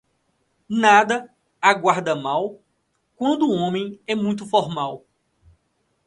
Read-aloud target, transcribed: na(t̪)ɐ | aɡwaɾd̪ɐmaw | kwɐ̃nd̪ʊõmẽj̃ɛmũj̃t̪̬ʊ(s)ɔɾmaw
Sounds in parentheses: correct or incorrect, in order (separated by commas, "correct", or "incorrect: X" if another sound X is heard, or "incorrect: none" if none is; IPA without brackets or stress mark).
incorrect: d̪, incorrect: f